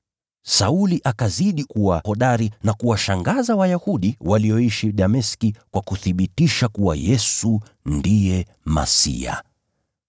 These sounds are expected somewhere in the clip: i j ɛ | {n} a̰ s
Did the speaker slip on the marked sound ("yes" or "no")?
yes